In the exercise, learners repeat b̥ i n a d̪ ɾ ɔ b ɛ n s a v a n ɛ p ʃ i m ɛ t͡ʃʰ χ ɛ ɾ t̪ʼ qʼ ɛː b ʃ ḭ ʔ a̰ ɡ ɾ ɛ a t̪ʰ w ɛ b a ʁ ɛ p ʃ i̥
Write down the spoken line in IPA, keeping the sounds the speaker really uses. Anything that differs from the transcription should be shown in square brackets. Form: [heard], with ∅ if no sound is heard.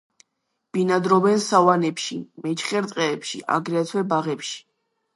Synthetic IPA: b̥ i n a d̪ ɾ ɔ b ɛ n s a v a n ɛ p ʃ i m ɛ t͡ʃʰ χ ɛ ɾ t̪ʼ qʼ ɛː [p] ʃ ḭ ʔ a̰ ɡ ɾ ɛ a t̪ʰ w ɛ b a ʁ ɛ p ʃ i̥